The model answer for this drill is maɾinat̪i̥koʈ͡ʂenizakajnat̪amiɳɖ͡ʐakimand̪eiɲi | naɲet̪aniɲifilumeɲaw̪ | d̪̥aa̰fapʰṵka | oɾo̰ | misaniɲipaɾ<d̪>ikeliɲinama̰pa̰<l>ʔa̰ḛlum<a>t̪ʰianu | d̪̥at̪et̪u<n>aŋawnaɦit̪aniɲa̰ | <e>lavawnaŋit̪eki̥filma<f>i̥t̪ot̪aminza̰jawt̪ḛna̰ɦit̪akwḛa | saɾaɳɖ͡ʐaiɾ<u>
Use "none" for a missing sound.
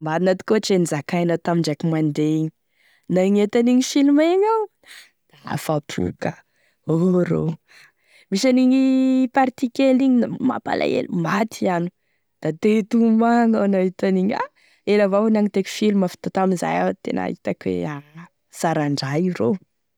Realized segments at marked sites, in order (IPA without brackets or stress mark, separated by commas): t̪, l, a, m, e, f, o